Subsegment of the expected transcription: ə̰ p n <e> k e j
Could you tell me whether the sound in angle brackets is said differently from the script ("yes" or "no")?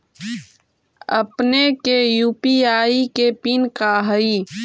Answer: no